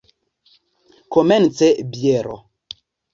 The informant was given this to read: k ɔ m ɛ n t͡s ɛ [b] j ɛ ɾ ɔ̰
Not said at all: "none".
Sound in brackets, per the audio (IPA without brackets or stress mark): b